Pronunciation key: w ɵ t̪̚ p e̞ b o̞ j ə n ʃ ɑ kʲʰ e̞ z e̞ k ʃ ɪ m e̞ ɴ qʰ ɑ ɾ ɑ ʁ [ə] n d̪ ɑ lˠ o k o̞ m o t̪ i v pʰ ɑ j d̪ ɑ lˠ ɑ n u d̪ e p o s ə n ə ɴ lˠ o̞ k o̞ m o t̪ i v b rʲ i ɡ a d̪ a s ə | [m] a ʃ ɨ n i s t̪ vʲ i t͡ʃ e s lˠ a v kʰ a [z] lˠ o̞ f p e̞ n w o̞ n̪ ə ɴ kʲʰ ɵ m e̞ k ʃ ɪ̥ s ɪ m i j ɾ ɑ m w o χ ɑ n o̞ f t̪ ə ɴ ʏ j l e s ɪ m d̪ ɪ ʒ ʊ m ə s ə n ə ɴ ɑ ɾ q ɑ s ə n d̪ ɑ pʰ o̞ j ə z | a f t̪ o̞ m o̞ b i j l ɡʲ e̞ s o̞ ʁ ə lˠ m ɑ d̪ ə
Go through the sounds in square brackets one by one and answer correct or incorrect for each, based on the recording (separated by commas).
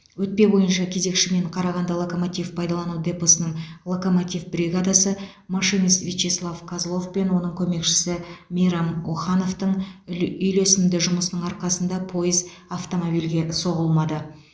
incorrect, correct, correct